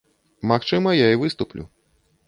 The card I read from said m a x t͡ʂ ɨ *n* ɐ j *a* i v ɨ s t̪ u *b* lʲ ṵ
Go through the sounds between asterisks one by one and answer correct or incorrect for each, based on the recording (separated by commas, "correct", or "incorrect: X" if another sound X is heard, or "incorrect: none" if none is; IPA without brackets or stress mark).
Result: incorrect: m, correct, incorrect: p